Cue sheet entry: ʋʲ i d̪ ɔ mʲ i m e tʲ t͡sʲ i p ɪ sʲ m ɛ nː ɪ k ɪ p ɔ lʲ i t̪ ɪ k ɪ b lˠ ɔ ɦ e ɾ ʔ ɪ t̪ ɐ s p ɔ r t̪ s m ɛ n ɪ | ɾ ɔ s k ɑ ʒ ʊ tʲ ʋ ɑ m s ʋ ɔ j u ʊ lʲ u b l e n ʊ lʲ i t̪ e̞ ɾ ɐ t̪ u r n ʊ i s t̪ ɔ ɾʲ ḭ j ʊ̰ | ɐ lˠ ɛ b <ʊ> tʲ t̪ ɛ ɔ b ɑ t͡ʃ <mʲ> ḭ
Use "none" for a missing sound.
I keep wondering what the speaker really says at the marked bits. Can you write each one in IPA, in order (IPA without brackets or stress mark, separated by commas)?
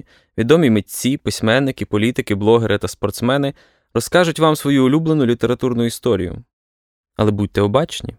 u, nʲ